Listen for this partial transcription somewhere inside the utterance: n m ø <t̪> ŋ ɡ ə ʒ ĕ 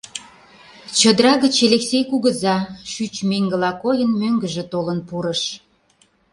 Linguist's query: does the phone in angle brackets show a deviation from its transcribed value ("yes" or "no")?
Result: yes